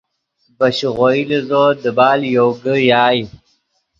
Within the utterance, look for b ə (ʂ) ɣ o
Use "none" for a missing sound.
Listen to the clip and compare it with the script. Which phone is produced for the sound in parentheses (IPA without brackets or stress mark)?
ɕ